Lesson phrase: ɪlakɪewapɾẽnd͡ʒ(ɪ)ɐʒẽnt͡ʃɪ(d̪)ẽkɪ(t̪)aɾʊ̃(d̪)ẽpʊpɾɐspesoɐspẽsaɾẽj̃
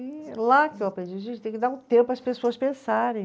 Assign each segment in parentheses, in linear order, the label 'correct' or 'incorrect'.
incorrect: i, incorrect: t̪, incorrect: d̪, incorrect: t̪

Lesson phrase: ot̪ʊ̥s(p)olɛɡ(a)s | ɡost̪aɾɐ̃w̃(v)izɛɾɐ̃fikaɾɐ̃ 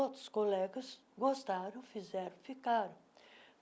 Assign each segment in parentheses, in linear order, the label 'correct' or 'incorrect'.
incorrect: k, incorrect: ɐ, incorrect: f

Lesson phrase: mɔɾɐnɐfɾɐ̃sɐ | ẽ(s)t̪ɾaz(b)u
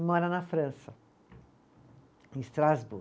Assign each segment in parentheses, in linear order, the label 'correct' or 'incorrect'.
correct, correct

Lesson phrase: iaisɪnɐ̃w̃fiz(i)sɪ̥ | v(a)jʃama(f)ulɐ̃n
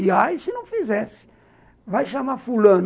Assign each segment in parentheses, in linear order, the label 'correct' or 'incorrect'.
incorrect: ɛ, correct, correct

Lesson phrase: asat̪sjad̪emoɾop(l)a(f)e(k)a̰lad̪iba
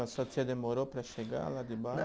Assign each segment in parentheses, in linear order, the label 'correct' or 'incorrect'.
incorrect: ɾ, incorrect: ʃ, incorrect: ɡ

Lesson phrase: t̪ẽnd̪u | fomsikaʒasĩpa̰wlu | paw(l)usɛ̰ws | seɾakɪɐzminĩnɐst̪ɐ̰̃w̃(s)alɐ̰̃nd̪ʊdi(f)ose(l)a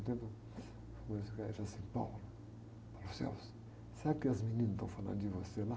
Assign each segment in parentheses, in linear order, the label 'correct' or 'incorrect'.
correct, incorrect: f, incorrect: v, correct

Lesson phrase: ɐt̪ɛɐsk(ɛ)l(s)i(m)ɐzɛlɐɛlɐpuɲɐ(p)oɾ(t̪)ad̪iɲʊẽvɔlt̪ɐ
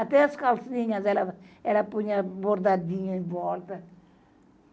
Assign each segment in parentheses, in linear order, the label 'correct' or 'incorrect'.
incorrect: a, correct, incorrect: ɲ, incorrect: b, incorrect: d̪

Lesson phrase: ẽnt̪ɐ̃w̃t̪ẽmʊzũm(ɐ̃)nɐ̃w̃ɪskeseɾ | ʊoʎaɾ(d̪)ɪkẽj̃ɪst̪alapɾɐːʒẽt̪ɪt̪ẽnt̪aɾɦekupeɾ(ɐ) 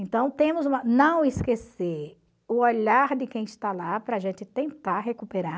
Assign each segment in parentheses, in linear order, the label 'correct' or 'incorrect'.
incorrect: ɐ, correct, incorrect: a

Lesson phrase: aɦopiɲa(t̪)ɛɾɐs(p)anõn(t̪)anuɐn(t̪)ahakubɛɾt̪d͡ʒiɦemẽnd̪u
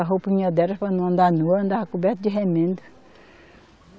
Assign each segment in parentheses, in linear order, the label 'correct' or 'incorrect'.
incorrect: d̪, correct, incorrect: d̪, incorrect: d̪

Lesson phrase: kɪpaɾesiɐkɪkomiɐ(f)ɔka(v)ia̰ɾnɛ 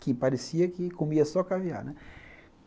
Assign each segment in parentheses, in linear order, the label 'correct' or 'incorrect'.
incorrect: s, correct

